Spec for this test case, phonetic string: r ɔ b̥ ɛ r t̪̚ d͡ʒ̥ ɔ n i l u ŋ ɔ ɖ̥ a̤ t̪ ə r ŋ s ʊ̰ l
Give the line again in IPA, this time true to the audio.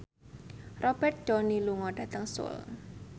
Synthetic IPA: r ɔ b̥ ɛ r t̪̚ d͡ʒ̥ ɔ n i l u ŋ ɔ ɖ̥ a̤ t̪ ə ŋ s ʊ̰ l

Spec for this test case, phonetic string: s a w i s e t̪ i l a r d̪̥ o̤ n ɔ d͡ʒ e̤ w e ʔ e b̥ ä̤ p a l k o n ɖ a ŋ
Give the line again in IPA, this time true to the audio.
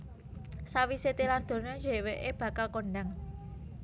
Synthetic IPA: s a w i s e t̪ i l a r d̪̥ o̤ n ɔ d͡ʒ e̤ w e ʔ e b̥ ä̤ k a l k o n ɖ a ŋ

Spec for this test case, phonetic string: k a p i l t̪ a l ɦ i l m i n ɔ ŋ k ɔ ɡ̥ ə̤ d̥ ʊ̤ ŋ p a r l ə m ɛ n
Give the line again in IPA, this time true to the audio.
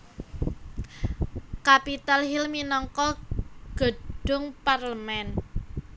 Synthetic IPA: k a p i t̪ a l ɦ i l m i n ɔ ŋ k ɔ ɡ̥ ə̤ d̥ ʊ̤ ŋ p a r l ə m ɛ n

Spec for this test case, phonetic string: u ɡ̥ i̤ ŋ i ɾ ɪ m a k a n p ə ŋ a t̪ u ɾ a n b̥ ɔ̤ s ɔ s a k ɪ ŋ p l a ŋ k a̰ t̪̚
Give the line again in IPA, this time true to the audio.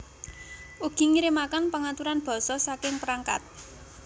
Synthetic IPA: u ɡ̥ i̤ ŋ i ɾ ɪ m a k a n p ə ŋ a t̪ u ɾ a n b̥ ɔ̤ s ɔ s a k ɪ ŋ p ɾ a ŋ k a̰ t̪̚

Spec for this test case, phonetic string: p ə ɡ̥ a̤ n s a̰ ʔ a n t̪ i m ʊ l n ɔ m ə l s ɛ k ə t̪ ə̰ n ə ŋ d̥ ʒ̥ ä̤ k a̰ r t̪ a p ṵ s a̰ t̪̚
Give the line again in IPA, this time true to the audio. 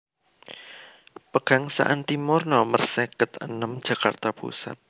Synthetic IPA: p ə ɡ̥ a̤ ŋ s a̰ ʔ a n t̪ i m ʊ r n ɔ m ə r s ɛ k ə t̪ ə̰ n ə m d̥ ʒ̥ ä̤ k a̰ r t̪ a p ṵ s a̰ t̪̚

